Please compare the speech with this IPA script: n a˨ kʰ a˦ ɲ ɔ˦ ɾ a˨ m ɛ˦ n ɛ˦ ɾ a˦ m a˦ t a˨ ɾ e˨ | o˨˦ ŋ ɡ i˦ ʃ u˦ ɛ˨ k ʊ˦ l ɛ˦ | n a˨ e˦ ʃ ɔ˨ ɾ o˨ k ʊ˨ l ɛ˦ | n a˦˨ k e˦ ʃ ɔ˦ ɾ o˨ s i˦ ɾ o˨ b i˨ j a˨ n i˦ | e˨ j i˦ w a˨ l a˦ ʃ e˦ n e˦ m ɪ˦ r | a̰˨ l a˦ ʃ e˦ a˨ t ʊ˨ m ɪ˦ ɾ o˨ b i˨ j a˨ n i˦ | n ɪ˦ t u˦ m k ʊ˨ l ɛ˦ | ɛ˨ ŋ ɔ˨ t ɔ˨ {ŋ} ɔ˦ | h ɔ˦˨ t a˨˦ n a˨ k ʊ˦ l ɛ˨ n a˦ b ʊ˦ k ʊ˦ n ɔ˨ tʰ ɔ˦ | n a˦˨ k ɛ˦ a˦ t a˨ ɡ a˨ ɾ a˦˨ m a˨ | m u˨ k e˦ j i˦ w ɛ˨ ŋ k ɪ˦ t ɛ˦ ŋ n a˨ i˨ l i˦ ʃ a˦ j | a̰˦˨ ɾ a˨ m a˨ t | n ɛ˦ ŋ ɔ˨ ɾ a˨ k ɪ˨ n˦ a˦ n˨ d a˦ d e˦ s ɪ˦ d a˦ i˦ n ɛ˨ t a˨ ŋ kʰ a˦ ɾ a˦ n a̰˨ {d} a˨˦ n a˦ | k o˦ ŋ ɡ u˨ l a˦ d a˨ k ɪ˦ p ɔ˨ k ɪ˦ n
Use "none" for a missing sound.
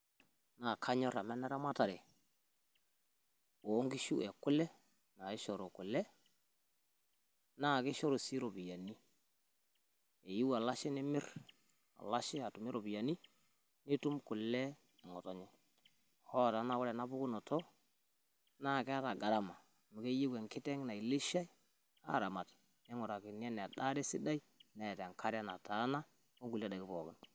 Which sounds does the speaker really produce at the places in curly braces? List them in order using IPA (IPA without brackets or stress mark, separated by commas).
ɲ, t